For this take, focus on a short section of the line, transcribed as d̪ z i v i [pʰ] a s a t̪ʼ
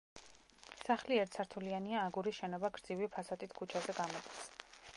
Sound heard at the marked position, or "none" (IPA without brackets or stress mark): pʰ